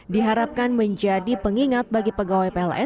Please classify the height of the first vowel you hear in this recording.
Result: high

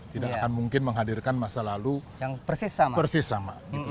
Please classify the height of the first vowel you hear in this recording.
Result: high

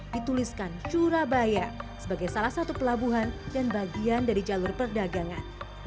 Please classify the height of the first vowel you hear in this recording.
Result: high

